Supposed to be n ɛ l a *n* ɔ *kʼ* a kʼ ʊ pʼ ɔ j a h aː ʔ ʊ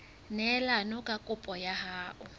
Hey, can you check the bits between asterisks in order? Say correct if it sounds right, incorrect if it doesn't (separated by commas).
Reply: correct, correct